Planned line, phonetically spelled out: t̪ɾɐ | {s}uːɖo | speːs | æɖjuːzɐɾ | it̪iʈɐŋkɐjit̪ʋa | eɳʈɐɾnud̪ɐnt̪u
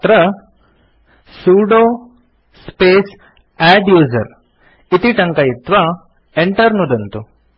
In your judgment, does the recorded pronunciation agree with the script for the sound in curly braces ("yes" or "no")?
yes